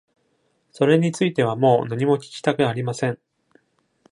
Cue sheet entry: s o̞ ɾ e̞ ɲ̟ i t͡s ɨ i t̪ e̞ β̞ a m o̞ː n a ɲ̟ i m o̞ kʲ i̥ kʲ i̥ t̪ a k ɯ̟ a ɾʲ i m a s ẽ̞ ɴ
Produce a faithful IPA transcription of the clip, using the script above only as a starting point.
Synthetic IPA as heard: s o̞ ɾ e̞ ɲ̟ i t͡s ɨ i t̪ e̞ β̞ a m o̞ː n a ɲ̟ i m o̞ kʲ i̥ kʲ i̥ t̪ a k ɯ̟ a ɾʲ i m a s ẽ̞ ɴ